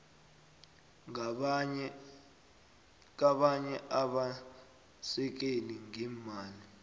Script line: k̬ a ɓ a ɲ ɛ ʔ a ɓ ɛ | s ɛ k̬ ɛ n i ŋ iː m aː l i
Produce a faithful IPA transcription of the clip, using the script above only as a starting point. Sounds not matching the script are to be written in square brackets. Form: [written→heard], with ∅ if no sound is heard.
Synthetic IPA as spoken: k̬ a ɓ a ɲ ɛ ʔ a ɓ [ɛ→a] | s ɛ k̬ [ɛ→e] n i ŋ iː m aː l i